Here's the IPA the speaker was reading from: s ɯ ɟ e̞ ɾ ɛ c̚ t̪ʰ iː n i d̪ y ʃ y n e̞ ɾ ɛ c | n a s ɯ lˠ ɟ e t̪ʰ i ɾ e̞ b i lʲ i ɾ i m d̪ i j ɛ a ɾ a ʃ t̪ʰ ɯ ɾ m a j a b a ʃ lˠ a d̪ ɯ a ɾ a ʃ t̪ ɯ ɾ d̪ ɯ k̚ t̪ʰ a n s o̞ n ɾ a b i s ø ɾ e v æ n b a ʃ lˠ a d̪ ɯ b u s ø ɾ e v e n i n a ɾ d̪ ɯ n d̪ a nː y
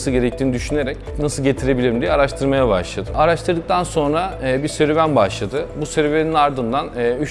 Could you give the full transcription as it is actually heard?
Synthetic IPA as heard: s ɯ ɟ e̞ ɾ ɛ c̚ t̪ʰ iː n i d̪ y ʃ y n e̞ ɾ ɛ c | n a s ɯ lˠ ɟ e t̪ʰ i ɾ e̞ b i lʲ i ɾ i m d̪ i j ɛ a ɾ a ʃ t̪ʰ ɯ ɾ m a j a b a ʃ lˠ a d̪ ɯ a ɾ a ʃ t̪ ɯ ɾ d̪ ɯ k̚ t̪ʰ a n s o̞ n ɾ a b i s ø ɾ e v æ n b a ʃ lˠ a d̪ ɯ b u s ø ɾ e v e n i n a ɾ d̪ ɯ n d̪ a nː y